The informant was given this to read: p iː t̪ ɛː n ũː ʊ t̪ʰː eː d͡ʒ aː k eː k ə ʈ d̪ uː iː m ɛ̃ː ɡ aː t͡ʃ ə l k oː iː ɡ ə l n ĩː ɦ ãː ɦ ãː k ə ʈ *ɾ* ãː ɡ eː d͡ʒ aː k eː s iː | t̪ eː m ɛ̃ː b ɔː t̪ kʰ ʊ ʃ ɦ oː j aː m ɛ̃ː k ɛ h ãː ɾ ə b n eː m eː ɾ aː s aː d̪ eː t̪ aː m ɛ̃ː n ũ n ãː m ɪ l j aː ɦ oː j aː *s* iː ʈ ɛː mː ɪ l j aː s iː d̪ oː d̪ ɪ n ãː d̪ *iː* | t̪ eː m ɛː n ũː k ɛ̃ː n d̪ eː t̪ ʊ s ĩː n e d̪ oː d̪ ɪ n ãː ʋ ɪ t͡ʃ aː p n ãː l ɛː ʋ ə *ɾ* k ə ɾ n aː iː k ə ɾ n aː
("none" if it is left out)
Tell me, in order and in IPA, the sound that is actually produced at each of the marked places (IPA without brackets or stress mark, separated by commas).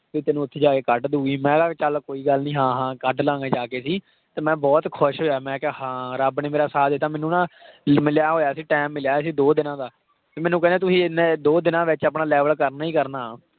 l, s, aː, l